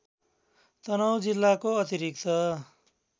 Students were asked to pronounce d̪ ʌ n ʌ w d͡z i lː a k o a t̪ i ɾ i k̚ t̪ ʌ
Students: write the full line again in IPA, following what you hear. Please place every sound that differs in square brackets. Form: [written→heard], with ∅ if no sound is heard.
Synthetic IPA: [d̪→t̪] ʌ n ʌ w d͡z i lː a k o [a→ʌ] t̪ i ɾ i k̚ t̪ ʌ